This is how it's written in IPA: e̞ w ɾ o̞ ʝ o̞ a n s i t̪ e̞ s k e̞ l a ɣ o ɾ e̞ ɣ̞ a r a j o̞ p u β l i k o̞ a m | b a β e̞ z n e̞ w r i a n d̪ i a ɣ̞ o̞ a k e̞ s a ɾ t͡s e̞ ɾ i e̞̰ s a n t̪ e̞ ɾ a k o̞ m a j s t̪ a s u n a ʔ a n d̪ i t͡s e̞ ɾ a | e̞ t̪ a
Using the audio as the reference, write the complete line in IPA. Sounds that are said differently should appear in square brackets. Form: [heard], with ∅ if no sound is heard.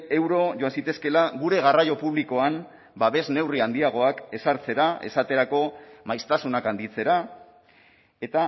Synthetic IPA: e̞ w ɾ o̞ ʝ o̞ a n s i t̪ e̞ s k e̞ l a ɣ [u] ɾ e̞ ɣ̞ a r a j o̞ p u β l i k o̞ a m | b a β e̞ z n e̞ w r i a n d̪ i a ɣ̞ o̞ a k e̞ s a ɾ t͡s e̞ ɾ [a] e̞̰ s a [∅] t̪ e̞ ɾ a k o̞ m a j s t̪ a s u n a [k] a n d̪ i t͡s e̞ ɾ a | e̞ t̪ a

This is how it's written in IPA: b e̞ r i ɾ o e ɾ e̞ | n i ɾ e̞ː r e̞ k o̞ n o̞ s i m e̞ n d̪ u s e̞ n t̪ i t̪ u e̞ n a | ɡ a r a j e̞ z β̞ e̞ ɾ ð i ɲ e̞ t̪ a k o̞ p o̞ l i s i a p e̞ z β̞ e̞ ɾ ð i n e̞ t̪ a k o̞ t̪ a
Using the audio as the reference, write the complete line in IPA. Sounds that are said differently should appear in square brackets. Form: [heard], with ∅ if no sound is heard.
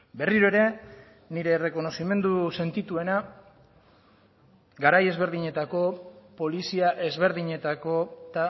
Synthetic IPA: b e̞ r i ɾ o e ɾ e̞ | n i ɾ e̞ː r e̞ k o̞ n o̞ s i m e̞ n d̪ u s e̞ n t̪ i t̪ u e̞ n a | ɡ a [ɾ] a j e̞ z β̞ e̞ ɾ ð i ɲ e̞ t̪ a k o̞ p o̞ l i s i a [ʔ] e̞ z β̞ e̞ ɾ ð i [ɲ] e̞ t̪ a k o̞ t̪ a

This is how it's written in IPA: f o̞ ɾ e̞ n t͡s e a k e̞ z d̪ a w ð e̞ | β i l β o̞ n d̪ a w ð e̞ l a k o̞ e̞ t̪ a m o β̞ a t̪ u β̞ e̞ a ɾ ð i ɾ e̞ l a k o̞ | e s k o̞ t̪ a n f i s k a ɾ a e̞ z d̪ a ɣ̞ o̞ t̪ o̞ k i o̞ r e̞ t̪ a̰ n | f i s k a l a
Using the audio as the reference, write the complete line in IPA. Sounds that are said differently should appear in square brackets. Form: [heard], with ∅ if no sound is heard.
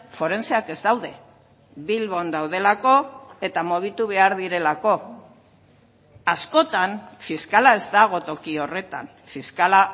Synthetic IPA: f o̞ ɾ e̞ n t͡s e a k e̞ z d̪ a w ð e̞ | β i l β o̞ n d̪ a w ð e̞ l a k o̞ e̞ t̪ a m o β̞ [i] t̪ u β̞ e̞ a ɾ ð i ɾ e̞ l a k o̞ | [a] s k o̞ t̪ a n f i s k a [l] a e̞ z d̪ a ɣ̞ o̞ t̪ o̞ k i o̞ r e̞ t̪ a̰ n | f i s k a l a

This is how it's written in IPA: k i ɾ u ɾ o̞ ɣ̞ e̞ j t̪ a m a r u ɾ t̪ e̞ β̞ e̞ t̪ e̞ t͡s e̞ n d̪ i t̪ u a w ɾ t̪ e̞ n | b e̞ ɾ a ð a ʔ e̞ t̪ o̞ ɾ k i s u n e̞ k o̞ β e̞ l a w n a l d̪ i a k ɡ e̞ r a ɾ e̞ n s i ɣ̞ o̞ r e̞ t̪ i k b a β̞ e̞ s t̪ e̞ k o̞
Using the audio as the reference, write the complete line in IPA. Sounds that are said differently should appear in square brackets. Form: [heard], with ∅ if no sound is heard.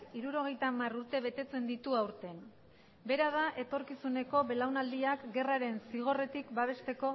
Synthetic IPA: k i ɾ u ɾ o̞ ɣ̞ e̞ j t̪ a m a r u ɾ t̪ e̞ β̞ e̞ t̪ e̞ t͡s e̞ n d̪ i t̪ u a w ɾ t̪ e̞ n | b e̞ ɾ a ð a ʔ e̞ t̪ o̞ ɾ k i s u n e̞ k o̞ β e̞ l a w n a l d̪ i a k ɡ e̞ r a ɾ e̞ n s i ɣ̞ o̞ r e̞ t̪ i k b a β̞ e̞ s t̪ e̞ k o̞

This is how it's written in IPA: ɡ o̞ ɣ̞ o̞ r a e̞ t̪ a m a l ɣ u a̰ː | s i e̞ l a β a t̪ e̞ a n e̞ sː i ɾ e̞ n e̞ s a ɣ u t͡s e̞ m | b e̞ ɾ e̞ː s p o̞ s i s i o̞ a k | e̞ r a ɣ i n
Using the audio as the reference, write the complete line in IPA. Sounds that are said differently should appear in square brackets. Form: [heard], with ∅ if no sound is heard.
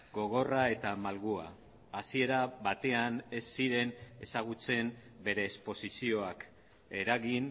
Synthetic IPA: ɡ o̞ ɣ̞ o̞ r a e̞ t̪ a m a l ɣ u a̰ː | s i e̞ [ɾ] a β a t̪ e̞ a n e̞ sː i ɾ e̞ n e̞ s a ɣ u t͡s e̞ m | b e̞ ɾ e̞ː s p o̞ s i s i o̞ a k | e̞ [ɾ] a ɣ i n

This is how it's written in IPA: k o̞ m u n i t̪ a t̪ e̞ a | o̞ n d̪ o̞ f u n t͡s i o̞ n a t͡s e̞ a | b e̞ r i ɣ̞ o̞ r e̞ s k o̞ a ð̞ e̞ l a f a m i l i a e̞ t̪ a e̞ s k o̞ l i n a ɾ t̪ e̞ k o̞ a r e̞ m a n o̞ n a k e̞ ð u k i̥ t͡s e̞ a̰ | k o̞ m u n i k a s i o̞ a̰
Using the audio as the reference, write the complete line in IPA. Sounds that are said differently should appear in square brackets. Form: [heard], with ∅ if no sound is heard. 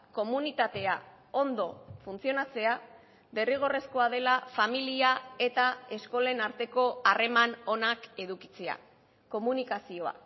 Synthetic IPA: k o̞ m u n i t̪ a t̪ e̞ a | o̞ n d̪ o̞ f u n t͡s i o̞ n a t͡s e̞ a | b e̞ r i ɣ̞ o̞ r e̞ s k o̞ a ð̞ e̞ l a f a m i l i a e̞ t̪ a e̞ s k o̞ l [e] n a ɾ t̪ e̞ k o̞ a r e̞ m a n o̞ n a k e̞ ð u k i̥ t͡s e̞ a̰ | k o̞ m u n i k a s i o̞ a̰

